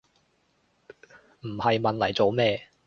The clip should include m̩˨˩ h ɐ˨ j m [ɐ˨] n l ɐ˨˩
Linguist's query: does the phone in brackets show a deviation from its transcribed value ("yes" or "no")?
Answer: no